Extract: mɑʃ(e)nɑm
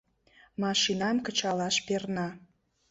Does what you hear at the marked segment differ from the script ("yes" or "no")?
yes